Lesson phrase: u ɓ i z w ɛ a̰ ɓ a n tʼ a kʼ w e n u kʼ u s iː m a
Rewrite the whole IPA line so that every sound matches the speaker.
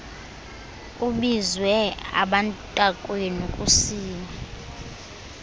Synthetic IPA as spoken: u ɓ i z w ɛ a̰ ɓ a n tʼ a kʼ w e n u kʼ u s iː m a